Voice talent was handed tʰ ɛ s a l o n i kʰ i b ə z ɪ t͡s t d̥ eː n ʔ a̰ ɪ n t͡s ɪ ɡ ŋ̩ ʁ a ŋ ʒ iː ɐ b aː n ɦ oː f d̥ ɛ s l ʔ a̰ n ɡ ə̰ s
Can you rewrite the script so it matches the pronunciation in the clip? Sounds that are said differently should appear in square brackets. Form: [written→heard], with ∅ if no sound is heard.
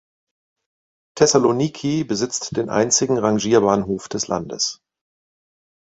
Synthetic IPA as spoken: tʰ ɛ s a l o n i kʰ i b ə z ɪ t͡s t d̥ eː n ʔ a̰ ɪ n t͡s ɪ ɡ ŋ̩ ʁ a ŋ ʒ iː ɐ b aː n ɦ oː f d̥ ɛ s l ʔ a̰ n [ɡ→d] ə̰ s